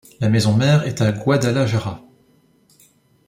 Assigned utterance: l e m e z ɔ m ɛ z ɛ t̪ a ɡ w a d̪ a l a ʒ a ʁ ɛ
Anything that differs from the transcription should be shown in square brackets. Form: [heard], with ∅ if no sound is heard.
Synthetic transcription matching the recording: l [a] m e z [ɔ̃] m ɛ [ʁ] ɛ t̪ a ɡ w a d̪ a l a ʒ a ʁ [a]